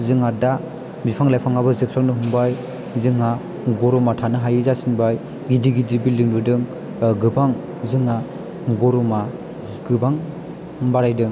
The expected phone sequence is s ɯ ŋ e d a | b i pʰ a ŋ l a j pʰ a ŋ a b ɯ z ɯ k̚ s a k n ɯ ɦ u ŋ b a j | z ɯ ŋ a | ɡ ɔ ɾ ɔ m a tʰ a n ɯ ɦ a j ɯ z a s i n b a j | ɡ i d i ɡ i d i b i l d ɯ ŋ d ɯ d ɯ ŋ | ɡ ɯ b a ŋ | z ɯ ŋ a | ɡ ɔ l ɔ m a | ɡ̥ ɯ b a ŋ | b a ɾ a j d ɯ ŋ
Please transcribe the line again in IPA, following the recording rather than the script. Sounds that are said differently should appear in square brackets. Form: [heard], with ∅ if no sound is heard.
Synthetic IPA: [z] ɯ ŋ [a] d a | b i pʰ a ŋ l a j pʰ a ŋ a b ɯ z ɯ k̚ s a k n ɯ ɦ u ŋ b a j | z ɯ ŋ a | ɡ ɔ ɾ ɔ m a tʰ a n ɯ ɦ a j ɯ z a s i n b a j | ɡ i d i ɡ i d i b i l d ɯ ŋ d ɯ d ɯ ŋ | ɡ ɯ b a ŋ | z ɯ ŋ a | ɡ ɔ [ɾ] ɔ m a | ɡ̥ ɯ b a ŋ | b a ɾ a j d ɯ ŋ